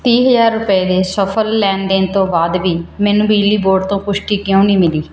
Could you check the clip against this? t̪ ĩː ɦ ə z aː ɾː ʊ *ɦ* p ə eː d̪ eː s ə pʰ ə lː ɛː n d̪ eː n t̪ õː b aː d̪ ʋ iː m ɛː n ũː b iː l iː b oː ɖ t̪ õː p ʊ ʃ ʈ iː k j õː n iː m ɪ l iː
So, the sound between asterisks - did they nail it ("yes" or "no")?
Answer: no